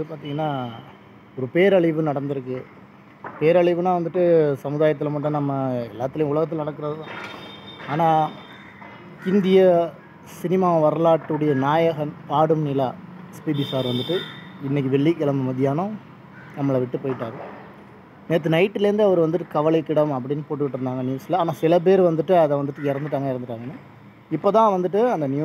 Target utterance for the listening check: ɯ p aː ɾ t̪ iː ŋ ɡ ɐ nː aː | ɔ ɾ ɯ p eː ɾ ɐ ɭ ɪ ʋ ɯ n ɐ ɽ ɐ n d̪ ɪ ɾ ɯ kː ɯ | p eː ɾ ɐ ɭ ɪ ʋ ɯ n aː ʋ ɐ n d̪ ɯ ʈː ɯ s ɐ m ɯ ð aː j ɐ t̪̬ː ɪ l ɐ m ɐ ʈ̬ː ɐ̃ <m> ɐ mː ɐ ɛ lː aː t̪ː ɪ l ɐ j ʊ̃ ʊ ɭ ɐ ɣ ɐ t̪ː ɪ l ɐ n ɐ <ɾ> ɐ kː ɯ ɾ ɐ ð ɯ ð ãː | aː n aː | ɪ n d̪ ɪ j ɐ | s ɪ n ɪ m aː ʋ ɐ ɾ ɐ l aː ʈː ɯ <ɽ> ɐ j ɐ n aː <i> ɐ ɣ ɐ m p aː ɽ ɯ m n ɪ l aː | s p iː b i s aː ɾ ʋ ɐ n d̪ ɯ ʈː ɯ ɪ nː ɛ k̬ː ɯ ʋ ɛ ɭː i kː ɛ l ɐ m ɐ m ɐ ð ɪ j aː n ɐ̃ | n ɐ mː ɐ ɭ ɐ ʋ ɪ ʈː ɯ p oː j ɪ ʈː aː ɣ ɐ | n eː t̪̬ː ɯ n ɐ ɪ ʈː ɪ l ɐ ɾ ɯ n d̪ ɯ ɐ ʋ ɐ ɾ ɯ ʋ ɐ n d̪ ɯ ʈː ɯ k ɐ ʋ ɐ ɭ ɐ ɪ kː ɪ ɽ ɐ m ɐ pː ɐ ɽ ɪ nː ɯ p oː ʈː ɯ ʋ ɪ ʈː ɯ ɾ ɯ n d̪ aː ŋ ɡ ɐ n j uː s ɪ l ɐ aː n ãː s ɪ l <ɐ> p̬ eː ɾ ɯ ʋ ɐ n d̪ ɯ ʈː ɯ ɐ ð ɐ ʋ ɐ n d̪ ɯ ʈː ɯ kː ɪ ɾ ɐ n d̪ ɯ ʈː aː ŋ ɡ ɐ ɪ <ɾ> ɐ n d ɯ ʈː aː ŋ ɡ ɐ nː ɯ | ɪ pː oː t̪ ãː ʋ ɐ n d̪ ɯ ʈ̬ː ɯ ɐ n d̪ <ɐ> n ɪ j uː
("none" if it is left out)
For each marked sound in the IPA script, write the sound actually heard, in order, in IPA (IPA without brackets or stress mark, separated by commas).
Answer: n, ɽ, ɽ, j, ɐ, ɾ, ɐ